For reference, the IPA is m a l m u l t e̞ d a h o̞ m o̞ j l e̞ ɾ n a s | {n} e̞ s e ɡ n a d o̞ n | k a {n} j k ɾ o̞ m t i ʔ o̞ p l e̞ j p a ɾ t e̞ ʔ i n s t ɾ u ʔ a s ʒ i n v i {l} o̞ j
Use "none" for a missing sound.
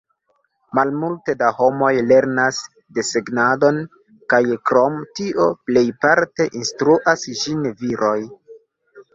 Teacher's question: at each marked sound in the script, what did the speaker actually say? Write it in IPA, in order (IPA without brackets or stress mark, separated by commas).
d, none, ɾ